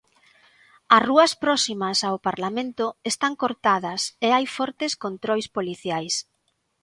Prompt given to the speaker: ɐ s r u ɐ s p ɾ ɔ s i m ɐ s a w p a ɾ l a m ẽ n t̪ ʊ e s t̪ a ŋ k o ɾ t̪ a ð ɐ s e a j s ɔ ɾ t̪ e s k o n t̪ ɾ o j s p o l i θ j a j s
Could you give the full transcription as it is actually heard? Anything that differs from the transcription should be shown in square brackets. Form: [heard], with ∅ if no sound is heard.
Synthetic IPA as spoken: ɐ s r u ɐ s p ɾ ɔ s i m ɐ s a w p a ɾ l a m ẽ n t̪ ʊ e s t̪ a ŋ k o ɾ t̪ a ð ɐ s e a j [f] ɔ ɾ t̪ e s k o n t̪ ɾ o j s p o l i θ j a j s